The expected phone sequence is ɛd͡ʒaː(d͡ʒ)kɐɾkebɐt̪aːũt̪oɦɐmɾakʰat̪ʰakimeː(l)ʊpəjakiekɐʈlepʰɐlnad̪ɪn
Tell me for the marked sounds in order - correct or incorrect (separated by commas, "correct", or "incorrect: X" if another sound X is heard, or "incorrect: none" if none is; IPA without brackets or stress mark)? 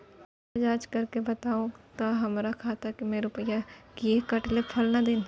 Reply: correct, incorrect: ɾ